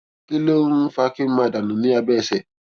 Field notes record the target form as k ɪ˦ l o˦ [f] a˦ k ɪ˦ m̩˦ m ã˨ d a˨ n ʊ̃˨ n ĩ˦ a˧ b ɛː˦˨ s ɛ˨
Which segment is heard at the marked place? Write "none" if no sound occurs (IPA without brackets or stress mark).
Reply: f